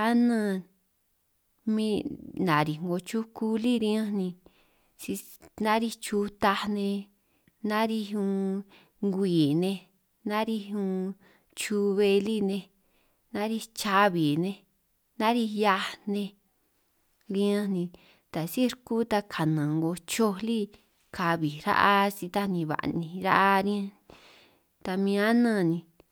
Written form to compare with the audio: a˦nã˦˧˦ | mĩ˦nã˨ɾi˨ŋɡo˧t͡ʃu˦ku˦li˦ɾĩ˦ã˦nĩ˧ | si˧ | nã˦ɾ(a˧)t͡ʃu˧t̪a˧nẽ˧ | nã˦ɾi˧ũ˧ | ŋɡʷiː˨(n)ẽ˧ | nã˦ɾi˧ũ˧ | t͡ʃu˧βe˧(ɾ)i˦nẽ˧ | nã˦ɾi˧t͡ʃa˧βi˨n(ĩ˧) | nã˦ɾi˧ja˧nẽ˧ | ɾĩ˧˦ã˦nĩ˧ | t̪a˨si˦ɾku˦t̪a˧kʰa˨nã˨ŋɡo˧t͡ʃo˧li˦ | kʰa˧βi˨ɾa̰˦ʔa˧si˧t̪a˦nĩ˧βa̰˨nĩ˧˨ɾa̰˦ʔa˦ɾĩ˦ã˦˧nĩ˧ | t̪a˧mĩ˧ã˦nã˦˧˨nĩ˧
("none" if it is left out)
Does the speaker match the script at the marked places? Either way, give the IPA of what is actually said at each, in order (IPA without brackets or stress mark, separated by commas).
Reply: i˧, n, l, ẽ˧